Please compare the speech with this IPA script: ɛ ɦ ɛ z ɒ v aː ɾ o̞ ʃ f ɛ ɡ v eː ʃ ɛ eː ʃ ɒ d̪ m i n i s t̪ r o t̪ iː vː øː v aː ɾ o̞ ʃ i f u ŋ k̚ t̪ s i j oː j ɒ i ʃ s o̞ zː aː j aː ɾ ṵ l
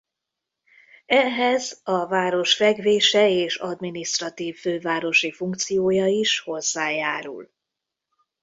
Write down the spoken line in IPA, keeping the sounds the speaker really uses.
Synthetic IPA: ɛ ɦ ɛ z ɒ v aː ɾ o̞ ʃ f ɛ ɡ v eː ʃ ɛ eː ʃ ɒ d̪ m i n i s t̪ r ɒ t̪ iː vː øː v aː ɾ o̞ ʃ i f u ŋ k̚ t̪ s i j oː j ɒ i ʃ h o̞ zː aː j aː ɾ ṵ l